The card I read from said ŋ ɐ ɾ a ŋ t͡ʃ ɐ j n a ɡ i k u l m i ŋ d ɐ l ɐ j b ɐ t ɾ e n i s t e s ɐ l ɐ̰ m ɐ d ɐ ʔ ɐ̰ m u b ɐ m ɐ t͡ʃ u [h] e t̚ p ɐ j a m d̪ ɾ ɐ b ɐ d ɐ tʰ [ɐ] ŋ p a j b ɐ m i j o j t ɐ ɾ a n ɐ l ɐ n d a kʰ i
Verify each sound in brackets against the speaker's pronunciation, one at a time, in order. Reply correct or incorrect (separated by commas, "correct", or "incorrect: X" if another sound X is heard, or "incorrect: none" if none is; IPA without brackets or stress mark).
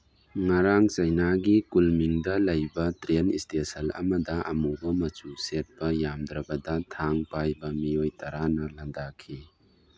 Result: incorrect: s, incorrect: a